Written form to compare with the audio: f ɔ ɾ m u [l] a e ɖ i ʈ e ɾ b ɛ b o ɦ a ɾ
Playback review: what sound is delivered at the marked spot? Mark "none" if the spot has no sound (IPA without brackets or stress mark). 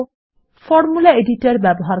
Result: l